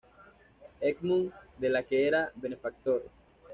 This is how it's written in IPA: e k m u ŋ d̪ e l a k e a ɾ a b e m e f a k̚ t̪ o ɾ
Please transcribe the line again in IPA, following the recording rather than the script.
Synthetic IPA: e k m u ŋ d̪ e l a k e e ɾ a b e n e f a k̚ t̪ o ɾ